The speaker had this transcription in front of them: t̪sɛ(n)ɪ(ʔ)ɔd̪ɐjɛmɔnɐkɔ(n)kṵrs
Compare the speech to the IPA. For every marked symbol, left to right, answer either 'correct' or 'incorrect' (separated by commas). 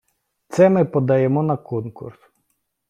incorrect, incorrect, correct